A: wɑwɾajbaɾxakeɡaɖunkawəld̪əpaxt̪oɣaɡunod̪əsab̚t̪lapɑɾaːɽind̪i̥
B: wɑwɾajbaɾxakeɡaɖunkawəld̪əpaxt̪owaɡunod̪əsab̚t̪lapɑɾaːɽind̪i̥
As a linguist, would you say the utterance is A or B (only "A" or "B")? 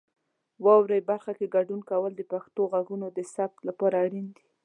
A